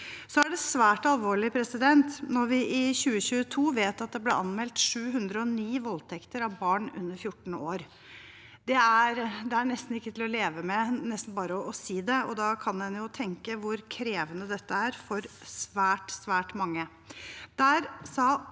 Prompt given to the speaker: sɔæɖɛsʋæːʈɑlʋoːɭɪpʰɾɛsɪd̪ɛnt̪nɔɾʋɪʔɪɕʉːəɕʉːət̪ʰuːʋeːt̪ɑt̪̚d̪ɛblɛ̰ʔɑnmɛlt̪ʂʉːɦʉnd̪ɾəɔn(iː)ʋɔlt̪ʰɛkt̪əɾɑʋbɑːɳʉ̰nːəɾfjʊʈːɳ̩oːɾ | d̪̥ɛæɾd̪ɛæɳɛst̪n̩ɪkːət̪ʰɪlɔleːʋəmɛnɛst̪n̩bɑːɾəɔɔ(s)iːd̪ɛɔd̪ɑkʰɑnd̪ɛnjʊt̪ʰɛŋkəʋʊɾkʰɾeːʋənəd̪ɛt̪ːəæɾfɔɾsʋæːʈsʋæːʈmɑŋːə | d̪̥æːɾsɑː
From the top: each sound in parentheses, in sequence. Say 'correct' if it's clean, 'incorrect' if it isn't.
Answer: correct, correct

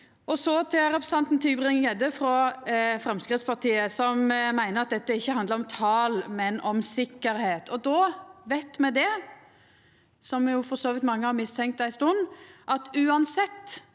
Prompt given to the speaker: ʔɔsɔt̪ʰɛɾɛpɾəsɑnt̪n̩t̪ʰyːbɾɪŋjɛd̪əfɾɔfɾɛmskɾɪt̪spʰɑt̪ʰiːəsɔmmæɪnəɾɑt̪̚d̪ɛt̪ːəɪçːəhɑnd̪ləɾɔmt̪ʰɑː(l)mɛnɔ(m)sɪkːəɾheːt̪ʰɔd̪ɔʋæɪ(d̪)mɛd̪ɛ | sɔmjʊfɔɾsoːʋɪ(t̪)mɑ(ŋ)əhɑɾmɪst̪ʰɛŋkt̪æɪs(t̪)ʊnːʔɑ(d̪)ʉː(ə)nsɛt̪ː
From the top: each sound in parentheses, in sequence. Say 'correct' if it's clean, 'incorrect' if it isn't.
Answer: correct, correct, incorrect: t̪, correct, incorrect: ŋː, correct, incorrect: t̪, incorrect: ɑ

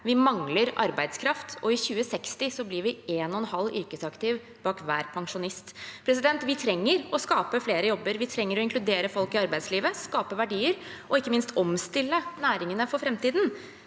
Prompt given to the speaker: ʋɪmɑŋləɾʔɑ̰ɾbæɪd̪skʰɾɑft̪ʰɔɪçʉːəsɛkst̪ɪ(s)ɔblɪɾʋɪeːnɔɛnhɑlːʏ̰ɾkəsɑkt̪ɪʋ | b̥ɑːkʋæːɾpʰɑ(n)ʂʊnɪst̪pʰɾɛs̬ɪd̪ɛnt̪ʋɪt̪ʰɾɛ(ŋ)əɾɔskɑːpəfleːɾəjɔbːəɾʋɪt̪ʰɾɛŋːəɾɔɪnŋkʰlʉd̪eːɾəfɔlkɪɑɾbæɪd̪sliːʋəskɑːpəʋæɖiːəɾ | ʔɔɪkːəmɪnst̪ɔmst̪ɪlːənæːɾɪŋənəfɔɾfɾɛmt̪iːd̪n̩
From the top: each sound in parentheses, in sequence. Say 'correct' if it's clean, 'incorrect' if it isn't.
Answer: correct, incorrect: ŋ, incorrect: ŋː

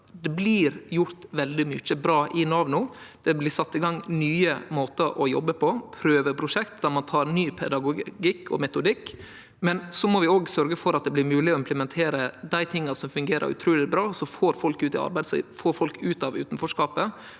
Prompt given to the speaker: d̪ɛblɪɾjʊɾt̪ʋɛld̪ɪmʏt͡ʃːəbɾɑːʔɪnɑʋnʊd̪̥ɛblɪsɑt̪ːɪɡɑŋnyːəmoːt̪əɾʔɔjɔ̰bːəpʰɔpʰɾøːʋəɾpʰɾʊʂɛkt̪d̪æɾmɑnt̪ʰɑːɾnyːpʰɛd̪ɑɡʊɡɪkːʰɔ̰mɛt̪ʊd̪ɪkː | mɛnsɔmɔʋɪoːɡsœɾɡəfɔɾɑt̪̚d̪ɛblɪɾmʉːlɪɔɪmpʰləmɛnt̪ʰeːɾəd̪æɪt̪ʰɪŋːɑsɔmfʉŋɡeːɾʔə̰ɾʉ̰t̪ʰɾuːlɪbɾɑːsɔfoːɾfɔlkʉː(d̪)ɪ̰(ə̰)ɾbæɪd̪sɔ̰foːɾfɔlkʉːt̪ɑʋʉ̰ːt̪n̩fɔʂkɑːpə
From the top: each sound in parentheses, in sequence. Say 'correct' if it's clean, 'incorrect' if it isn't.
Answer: incorrect: t̪, incorrect: ɑ̰

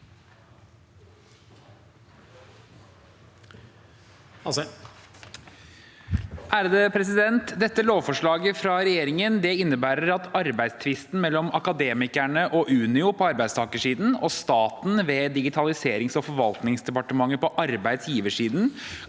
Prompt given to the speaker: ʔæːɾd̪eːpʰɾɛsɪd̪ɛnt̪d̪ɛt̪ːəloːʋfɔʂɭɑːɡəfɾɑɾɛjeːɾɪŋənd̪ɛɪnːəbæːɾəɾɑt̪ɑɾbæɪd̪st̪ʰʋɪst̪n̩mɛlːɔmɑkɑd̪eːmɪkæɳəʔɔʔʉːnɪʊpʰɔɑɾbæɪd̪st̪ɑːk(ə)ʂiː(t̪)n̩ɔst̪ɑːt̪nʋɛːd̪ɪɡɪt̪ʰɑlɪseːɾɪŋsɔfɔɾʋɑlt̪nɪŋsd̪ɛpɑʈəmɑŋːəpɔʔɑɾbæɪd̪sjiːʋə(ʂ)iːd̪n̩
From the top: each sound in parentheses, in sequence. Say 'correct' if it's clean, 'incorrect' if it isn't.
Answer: correct, incorrect: d̪, correct

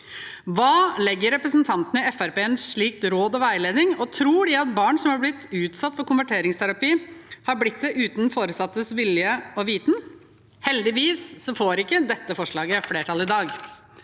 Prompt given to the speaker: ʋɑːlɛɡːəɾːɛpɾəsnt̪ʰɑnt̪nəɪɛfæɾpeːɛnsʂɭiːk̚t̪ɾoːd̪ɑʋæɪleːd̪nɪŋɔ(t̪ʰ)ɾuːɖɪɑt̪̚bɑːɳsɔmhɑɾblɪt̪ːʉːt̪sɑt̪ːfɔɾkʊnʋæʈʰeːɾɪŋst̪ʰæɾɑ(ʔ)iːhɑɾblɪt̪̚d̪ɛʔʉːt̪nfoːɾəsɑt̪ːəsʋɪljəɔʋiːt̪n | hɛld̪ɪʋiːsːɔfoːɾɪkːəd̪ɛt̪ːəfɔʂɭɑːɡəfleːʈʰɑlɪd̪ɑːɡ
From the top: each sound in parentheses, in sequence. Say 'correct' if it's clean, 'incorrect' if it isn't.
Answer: correct, incorrect: p

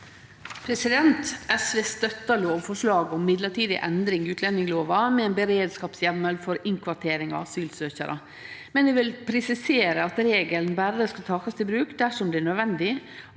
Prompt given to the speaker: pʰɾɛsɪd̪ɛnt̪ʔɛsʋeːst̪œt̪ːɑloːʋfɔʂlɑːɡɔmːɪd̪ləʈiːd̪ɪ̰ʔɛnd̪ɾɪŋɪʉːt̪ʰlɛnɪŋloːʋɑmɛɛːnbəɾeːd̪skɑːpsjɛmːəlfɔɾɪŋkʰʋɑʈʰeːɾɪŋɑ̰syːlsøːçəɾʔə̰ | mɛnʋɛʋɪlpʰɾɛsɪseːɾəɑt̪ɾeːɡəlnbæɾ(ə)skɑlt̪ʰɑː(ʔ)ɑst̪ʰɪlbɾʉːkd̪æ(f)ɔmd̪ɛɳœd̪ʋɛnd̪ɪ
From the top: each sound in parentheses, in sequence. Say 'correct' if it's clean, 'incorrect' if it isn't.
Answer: correct, incorrect: k, incorrect: ʂ

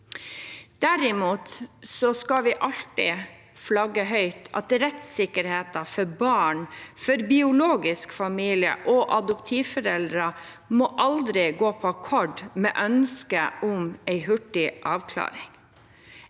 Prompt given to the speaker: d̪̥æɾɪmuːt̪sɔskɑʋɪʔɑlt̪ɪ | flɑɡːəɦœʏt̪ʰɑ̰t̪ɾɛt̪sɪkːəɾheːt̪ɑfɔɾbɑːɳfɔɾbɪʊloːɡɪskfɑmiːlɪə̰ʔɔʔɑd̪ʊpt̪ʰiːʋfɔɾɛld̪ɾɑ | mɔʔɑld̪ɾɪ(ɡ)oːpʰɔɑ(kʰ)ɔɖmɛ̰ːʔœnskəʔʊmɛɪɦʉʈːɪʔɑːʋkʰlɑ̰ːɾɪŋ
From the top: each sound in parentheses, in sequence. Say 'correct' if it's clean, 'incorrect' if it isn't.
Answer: correct, correct

